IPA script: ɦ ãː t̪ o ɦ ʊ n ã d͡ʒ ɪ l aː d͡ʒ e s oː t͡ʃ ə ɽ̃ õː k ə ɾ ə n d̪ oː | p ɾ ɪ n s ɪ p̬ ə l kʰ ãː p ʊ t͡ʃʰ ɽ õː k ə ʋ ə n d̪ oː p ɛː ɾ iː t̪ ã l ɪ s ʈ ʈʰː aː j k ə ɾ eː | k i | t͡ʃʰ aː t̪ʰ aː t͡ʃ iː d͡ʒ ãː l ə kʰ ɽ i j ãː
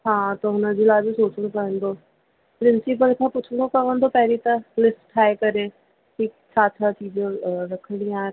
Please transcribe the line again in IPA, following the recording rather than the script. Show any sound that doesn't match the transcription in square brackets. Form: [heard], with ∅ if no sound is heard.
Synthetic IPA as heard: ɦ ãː t̪ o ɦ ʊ n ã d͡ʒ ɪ l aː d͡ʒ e s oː t͡ʃ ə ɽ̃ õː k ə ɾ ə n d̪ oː | p ɾ ɪ n s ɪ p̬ ə l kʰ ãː p ʊ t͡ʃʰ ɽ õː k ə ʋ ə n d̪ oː p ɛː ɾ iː t̪ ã l ɪ s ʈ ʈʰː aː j k ə ɾ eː | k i | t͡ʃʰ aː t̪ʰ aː t͡ʃ iː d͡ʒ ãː [ɾ] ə kʰ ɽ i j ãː